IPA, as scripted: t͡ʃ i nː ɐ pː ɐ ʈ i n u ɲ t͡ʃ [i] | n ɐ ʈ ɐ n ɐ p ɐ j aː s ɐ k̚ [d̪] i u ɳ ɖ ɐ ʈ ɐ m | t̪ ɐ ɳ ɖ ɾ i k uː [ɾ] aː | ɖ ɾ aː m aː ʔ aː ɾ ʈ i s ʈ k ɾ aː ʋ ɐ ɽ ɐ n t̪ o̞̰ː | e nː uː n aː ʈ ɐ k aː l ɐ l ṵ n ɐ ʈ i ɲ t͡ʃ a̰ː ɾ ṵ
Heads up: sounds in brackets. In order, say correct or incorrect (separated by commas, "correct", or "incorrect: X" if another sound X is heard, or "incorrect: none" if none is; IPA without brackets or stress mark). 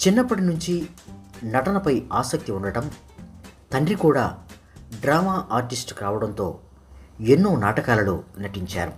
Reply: correct, incorrect: t̪, incorrect: ɽ